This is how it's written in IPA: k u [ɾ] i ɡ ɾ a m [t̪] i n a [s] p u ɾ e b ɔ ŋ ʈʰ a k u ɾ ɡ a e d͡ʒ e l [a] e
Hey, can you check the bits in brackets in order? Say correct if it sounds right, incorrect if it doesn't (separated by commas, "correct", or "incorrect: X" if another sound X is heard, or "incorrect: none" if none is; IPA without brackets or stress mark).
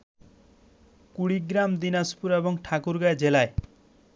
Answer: incorrect: ɽ, incorrect: d̪, correct, correct